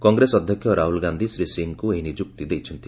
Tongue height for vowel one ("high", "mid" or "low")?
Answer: mid